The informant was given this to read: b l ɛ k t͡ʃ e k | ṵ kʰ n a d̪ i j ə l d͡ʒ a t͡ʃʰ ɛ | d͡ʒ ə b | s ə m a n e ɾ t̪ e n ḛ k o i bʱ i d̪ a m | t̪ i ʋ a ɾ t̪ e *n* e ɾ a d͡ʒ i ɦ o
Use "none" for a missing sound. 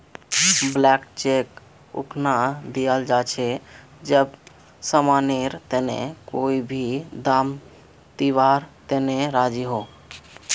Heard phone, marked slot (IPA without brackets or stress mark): n